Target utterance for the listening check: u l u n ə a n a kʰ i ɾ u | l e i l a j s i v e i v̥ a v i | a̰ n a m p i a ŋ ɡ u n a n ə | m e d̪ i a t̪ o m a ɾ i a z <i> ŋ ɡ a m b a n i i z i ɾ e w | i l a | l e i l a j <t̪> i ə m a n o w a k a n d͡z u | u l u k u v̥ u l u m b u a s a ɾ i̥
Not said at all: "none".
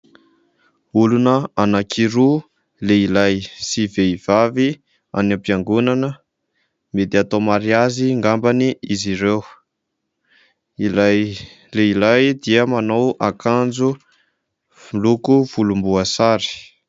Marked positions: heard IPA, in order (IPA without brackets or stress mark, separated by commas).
i, d̪